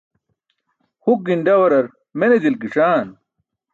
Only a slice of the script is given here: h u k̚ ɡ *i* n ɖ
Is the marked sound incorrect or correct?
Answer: correct